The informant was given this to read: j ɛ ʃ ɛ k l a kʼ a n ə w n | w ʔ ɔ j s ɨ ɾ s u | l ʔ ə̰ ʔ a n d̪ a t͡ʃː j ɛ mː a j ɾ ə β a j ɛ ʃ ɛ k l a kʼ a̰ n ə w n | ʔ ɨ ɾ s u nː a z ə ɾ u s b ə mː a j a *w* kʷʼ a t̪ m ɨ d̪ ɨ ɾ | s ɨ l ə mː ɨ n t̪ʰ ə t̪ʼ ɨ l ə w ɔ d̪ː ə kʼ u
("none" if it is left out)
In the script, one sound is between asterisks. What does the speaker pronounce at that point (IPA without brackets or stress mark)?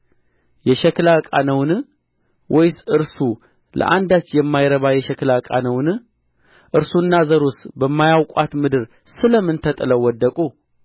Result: w